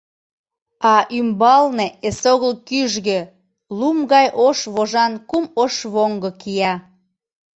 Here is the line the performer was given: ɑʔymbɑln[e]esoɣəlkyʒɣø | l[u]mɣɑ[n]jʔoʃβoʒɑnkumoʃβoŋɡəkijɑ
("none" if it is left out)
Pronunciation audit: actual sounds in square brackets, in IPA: e, u, none

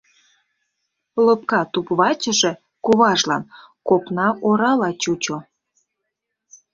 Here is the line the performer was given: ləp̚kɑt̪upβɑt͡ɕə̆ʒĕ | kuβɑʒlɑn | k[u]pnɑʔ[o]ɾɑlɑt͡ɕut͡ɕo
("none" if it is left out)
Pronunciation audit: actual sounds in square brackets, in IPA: o, o

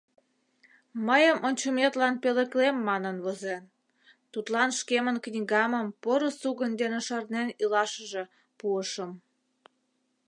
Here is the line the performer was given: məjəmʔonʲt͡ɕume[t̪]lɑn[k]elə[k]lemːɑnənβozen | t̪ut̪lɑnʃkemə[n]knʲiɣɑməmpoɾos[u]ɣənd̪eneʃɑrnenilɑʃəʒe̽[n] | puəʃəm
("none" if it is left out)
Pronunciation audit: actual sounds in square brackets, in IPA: t̪, p, k, n, u, none

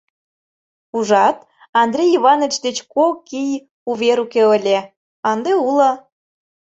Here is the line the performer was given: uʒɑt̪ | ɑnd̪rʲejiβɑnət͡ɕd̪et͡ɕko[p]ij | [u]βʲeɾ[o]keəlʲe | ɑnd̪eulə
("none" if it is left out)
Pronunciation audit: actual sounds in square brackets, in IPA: k, u, u

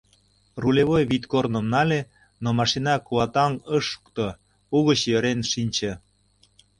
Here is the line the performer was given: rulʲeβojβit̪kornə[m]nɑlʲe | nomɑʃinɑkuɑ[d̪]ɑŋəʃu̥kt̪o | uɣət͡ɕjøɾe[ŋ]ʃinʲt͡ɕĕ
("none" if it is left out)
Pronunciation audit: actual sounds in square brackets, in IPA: m, t̪, n

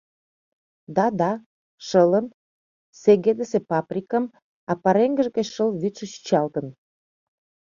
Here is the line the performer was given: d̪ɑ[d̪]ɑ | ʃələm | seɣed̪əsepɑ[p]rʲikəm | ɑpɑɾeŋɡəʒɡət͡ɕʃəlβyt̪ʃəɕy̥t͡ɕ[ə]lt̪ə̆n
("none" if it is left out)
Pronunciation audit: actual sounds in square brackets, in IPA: d̪, p, ɑ

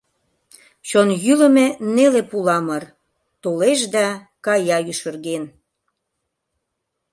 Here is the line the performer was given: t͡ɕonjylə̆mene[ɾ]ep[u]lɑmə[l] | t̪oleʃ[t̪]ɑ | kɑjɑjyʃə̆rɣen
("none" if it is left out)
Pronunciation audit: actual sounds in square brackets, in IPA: l, u, r, d̪

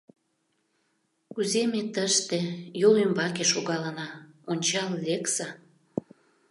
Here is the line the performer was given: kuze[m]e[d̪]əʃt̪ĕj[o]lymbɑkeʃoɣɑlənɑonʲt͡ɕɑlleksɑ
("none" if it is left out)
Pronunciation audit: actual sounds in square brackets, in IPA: m, t̪, o

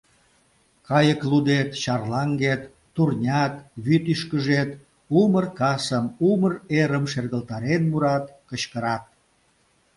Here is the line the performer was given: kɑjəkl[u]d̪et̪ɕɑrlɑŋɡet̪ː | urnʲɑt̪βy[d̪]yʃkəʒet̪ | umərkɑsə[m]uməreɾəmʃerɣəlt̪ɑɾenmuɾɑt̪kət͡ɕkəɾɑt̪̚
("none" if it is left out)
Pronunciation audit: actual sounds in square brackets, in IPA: u, t̪, m

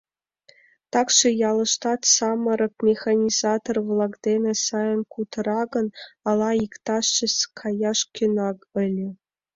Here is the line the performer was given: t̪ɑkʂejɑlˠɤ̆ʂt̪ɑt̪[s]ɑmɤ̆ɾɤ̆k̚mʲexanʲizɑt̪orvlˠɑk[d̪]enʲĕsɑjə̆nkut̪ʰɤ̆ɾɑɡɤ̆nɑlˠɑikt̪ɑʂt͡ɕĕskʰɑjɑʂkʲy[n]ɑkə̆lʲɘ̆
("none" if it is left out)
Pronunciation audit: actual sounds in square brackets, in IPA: s, d̪, n

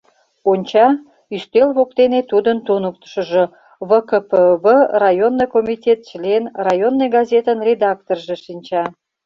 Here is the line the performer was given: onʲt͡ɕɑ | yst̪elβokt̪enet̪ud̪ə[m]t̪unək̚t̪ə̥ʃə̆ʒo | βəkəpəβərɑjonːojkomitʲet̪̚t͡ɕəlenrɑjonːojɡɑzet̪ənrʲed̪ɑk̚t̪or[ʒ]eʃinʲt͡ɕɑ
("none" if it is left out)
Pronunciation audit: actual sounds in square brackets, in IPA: n, ʒ

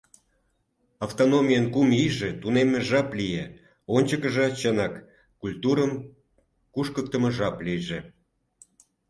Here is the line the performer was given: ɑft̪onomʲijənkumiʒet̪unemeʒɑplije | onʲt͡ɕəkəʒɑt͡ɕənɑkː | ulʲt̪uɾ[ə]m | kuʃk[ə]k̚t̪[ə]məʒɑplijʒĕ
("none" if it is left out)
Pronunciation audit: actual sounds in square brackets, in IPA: ə, ə, ə

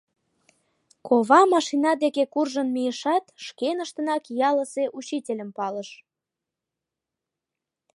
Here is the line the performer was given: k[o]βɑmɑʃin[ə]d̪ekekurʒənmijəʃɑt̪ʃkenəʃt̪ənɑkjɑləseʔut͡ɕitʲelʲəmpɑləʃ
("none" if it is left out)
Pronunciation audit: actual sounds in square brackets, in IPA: o, ɑ

